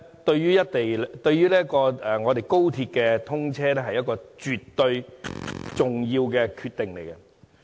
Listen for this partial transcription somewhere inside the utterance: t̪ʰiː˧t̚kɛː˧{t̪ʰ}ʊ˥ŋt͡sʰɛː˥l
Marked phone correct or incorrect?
correct